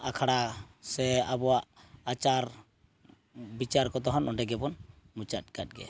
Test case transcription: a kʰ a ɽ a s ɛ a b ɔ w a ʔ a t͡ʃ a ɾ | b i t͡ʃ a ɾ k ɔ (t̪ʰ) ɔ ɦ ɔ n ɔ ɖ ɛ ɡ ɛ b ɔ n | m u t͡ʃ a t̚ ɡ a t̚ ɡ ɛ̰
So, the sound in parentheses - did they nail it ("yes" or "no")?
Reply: no